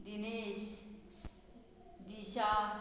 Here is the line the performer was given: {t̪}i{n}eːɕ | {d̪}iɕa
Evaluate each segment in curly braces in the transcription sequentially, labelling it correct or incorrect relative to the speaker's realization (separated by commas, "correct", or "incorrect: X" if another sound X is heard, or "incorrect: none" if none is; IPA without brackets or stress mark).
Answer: incorrect: d̪, correct, correct